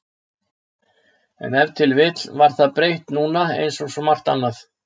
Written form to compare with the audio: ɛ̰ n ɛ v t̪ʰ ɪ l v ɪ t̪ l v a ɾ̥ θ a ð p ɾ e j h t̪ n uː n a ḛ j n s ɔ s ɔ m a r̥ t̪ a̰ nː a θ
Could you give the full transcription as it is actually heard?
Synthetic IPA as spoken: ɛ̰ n ɛ v t̪ʰ ɪ l v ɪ t̪ l v a ɾ̥ θ a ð p ɾ e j h t̪ n uː n a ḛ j n s ɔ s ɔ m a r̥ t̪ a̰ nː a θ